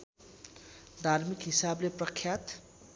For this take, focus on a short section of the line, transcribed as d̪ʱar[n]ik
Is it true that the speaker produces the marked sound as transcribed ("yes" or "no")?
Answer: no